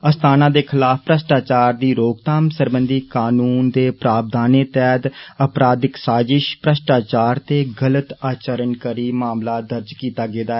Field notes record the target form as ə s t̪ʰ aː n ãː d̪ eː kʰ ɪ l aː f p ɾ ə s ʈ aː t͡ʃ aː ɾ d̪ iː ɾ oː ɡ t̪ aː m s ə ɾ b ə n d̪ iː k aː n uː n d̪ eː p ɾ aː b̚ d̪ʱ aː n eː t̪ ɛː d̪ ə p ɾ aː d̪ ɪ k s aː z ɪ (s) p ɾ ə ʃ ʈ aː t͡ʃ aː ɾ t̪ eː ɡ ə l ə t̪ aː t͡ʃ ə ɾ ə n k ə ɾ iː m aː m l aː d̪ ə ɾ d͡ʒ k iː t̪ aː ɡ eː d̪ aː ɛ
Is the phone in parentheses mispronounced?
yes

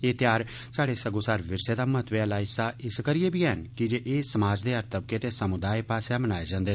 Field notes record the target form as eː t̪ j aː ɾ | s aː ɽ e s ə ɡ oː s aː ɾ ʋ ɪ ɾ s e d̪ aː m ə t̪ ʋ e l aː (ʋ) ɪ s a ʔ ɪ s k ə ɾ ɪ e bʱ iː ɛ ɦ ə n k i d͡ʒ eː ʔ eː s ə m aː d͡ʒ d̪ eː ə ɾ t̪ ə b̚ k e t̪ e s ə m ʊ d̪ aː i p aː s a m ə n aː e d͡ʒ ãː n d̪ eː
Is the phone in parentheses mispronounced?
yes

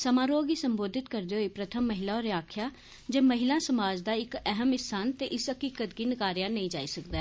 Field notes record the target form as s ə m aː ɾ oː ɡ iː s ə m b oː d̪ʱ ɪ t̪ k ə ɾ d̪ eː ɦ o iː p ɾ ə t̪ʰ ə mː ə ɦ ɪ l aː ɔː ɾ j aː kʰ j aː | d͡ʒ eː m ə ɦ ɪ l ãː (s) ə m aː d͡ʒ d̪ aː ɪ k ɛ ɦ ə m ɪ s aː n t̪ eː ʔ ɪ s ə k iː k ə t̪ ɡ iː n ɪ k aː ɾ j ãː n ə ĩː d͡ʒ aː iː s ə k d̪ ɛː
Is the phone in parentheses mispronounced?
no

